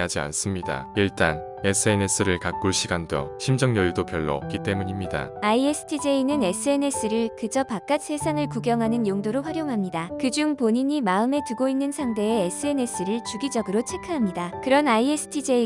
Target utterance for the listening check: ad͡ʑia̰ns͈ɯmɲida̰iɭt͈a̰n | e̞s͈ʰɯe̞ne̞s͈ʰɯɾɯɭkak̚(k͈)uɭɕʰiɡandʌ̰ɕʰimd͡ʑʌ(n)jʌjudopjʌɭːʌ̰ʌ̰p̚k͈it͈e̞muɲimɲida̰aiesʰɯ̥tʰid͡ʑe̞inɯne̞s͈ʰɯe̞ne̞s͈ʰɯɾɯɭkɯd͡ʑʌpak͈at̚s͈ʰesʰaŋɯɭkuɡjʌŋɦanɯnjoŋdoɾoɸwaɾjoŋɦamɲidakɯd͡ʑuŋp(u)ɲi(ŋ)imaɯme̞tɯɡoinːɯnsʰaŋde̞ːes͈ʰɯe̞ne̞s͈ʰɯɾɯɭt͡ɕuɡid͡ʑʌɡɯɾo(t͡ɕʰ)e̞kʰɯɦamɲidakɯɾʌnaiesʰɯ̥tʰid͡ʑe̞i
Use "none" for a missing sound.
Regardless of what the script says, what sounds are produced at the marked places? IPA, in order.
k͈, ŋ, o, ɲ, t͡ɕʰ

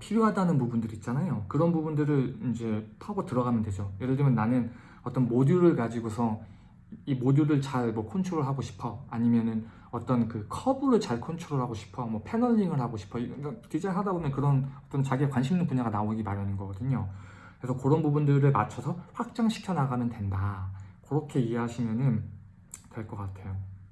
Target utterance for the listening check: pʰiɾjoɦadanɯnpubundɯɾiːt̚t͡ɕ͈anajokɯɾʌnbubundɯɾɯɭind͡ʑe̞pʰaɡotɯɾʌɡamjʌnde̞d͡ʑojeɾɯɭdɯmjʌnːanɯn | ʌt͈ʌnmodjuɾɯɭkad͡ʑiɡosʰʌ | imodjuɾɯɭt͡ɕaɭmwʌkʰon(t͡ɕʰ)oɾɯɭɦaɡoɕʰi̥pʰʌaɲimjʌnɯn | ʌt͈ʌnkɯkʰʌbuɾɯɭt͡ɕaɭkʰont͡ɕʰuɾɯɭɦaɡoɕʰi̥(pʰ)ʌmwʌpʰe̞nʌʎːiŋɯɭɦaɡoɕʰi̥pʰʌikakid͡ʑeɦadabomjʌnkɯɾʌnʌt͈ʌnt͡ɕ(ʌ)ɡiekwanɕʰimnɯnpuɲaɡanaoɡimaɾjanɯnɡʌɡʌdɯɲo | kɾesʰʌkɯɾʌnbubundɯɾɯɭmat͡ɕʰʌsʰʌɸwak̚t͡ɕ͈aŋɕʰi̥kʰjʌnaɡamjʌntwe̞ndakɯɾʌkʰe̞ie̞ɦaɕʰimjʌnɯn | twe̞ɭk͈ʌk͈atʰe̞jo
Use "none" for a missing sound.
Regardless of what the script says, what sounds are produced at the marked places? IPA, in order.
t͡ɕʰ, pʰ, a

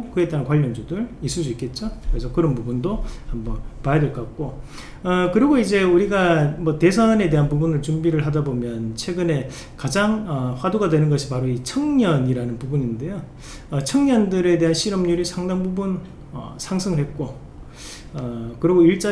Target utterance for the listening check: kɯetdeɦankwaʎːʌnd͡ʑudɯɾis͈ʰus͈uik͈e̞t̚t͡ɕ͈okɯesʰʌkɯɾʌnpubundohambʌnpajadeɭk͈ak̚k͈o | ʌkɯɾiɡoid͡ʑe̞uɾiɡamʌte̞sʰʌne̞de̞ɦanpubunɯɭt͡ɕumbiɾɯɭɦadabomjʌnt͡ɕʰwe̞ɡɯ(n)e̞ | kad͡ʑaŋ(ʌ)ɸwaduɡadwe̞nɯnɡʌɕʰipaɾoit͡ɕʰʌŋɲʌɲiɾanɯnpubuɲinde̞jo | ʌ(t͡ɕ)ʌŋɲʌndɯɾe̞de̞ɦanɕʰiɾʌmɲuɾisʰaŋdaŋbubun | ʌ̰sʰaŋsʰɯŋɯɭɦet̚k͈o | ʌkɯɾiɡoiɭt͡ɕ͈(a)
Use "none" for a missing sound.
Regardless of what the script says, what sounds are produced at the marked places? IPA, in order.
n, ʌ, t͡ɕʰ, a

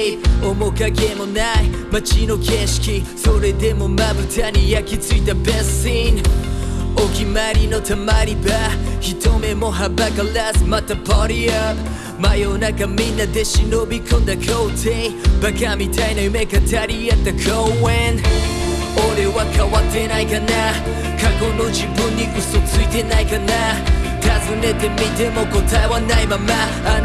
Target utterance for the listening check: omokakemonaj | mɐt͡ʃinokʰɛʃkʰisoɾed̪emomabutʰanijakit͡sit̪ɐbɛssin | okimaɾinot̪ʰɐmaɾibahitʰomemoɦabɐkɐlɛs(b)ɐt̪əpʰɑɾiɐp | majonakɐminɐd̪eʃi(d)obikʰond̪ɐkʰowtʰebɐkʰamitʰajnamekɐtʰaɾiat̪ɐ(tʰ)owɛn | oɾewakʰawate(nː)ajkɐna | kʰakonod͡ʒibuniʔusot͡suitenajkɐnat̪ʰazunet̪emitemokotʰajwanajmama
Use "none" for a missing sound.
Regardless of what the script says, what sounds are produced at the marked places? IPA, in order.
m, n, kʰ, n

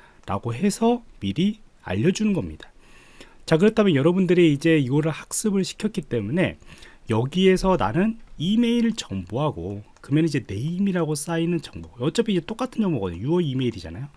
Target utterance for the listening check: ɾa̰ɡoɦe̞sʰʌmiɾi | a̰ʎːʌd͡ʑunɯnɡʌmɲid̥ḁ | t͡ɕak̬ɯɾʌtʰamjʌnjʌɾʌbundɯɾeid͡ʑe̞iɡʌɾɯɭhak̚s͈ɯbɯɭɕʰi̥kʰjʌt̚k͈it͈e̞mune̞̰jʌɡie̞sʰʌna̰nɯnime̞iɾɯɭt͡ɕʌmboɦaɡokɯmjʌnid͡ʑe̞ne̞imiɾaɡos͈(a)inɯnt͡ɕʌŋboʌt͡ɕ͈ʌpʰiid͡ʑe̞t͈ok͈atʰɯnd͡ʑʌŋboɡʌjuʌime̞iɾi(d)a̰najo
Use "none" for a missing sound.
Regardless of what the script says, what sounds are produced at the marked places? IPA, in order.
a, d͡ʑ

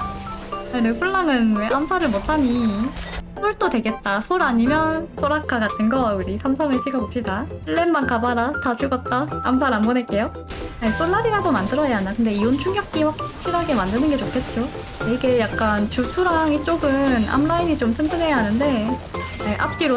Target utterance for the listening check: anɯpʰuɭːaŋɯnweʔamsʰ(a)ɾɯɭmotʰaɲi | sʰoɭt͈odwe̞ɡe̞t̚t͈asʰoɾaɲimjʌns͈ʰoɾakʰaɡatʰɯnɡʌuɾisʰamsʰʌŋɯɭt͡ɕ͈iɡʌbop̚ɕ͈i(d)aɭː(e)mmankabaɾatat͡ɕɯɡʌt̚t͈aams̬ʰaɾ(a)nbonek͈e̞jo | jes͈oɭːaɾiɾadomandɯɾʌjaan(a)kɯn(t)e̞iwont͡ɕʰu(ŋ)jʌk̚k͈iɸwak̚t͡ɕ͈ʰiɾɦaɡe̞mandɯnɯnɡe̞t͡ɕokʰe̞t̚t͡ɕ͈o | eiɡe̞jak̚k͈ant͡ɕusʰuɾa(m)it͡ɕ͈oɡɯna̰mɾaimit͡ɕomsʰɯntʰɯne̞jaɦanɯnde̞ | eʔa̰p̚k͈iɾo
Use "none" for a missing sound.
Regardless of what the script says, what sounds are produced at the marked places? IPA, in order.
a, d, e, a, a, d, ŋ, ŋ

